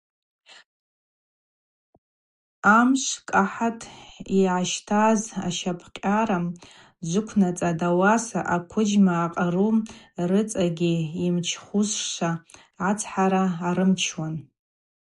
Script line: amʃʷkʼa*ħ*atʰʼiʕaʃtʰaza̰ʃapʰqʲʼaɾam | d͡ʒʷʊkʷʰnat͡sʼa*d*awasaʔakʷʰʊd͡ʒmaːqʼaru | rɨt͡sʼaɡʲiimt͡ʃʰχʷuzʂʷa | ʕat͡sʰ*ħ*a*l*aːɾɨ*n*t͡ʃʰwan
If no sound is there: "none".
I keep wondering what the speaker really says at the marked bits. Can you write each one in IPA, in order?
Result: ħ, d, ħ, ɾ, m

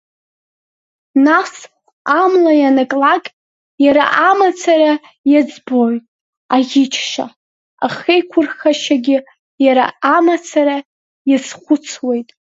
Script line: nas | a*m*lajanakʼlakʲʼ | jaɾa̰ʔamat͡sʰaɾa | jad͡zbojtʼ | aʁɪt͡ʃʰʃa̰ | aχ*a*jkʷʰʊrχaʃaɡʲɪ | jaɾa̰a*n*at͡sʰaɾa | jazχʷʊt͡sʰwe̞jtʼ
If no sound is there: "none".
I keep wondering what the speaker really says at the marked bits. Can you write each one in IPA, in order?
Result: m, e, m

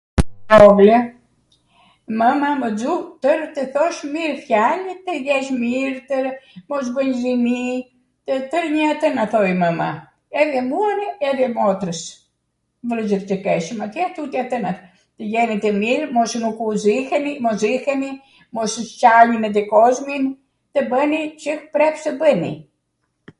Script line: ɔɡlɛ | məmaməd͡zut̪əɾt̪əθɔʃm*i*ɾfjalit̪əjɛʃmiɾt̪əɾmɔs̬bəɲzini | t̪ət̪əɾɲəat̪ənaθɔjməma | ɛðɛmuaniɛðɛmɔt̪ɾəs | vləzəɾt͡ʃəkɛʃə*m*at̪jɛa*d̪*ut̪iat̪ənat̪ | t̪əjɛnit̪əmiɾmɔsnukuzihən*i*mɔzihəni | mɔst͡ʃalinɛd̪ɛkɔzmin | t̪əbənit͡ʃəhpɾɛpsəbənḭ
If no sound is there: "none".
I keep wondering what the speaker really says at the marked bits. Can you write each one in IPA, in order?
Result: i, m, t̪, i

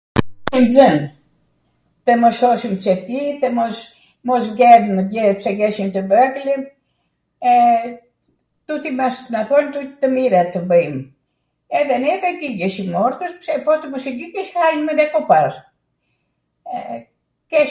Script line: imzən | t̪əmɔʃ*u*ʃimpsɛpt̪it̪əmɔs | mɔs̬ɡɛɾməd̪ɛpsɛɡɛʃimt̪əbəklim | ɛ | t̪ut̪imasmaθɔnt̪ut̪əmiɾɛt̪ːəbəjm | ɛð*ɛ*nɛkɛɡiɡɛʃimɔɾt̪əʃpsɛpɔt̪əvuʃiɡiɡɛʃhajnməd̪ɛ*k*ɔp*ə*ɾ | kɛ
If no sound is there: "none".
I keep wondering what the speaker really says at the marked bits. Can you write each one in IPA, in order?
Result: ɔ, ɛ, k, a

